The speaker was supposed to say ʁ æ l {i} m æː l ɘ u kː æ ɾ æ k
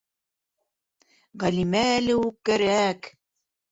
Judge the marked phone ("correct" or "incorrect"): correct